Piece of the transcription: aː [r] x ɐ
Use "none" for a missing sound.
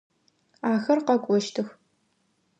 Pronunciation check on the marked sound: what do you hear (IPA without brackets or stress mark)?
none